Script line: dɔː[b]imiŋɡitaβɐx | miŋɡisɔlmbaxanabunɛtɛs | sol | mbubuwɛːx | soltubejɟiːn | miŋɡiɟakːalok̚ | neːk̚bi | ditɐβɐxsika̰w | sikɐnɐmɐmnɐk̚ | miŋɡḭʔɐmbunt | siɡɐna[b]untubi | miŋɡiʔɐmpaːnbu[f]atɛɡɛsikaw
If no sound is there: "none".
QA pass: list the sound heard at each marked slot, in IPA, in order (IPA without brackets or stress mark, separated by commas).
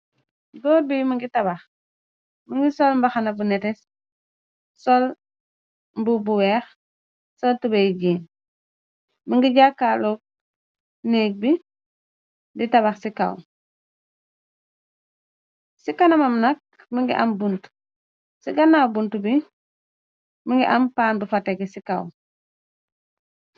b, b, f